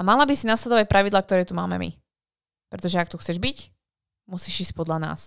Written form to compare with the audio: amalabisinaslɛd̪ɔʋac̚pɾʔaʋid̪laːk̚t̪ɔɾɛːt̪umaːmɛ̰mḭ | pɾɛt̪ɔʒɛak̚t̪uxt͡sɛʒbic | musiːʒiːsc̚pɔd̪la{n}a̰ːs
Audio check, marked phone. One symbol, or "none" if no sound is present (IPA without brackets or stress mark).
n